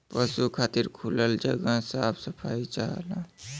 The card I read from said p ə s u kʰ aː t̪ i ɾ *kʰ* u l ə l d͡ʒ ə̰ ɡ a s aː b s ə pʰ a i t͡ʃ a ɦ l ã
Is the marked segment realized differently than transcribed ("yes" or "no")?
no